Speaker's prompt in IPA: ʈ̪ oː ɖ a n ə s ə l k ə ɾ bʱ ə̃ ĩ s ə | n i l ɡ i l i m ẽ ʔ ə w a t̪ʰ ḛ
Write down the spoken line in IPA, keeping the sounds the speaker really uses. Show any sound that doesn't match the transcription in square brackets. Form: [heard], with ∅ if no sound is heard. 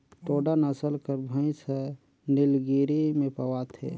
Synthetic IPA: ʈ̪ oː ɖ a n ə s ə l k ə ɾ bʱ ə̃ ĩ s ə | n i l ɡ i [ɾ] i m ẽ [p] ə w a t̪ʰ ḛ